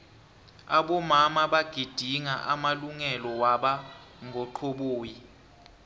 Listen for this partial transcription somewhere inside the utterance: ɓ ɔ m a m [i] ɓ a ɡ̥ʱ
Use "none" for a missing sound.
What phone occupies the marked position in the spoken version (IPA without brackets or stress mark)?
a